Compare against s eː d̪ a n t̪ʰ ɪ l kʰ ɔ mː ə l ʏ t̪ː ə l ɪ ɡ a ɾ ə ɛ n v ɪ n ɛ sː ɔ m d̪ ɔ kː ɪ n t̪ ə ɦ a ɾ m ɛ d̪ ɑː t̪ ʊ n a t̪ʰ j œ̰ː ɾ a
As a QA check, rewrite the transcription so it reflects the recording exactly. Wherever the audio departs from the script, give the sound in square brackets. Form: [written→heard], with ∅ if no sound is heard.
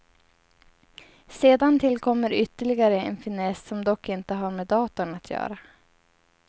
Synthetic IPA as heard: s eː d̪ a n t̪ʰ ɪ l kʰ ɔ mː ə [l→ɾ] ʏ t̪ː ə [l→ɭ] ɪ ɡ a ɾ ə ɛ n [v→f] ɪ n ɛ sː ɔ m d̪ ɔ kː ɪ n t̪ ə ɦ a ɾ m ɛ d̪ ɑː t̪ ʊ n a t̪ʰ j œ̰ː ɾ a